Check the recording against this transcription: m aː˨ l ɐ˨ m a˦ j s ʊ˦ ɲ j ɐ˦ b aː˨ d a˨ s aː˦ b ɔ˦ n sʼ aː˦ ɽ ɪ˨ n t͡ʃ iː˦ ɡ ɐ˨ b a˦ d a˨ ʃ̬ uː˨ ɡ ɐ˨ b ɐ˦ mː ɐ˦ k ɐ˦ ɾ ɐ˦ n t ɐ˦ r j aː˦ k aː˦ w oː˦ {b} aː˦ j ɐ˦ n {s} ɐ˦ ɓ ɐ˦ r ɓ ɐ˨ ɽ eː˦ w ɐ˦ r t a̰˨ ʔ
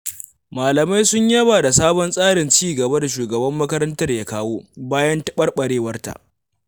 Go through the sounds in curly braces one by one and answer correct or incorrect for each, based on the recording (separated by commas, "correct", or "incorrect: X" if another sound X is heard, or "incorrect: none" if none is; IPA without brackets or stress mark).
correct, incorrect: t